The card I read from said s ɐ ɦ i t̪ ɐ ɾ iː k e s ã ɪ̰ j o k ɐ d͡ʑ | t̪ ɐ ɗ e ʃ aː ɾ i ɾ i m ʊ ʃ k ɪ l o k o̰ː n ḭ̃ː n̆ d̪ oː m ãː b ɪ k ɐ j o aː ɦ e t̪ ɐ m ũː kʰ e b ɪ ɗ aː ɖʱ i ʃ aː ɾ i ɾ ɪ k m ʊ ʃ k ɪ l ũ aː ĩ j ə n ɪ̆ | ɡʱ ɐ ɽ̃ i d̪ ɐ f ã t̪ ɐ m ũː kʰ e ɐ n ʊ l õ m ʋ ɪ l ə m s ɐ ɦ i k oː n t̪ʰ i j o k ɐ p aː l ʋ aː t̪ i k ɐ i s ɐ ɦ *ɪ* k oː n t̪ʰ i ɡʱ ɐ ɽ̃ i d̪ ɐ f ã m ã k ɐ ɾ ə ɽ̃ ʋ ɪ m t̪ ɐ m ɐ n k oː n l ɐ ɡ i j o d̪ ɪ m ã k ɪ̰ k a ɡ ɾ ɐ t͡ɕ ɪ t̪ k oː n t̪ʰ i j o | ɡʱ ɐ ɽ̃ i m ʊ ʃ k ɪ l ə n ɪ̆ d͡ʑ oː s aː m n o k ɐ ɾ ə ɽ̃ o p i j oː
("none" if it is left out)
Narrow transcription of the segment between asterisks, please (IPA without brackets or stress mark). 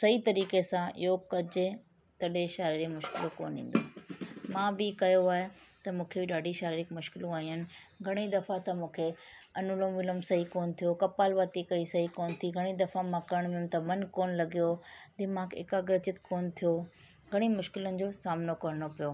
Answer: i